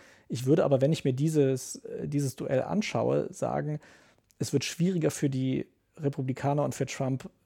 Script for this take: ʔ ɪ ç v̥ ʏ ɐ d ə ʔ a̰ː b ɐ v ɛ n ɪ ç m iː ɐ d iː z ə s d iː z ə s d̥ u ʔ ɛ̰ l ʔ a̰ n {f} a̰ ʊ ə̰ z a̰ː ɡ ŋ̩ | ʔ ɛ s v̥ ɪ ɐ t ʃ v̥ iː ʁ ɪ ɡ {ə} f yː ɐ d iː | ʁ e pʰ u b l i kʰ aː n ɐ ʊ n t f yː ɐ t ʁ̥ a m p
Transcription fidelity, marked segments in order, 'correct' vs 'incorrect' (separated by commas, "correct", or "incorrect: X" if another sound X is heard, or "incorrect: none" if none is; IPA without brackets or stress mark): incorrect: ʃ, incorrect: ɐ